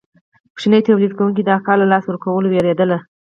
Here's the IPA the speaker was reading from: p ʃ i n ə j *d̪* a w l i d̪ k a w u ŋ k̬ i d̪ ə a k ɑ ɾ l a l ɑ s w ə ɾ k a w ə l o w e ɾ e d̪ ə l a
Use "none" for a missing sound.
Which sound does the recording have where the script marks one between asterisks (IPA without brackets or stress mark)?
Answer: t̪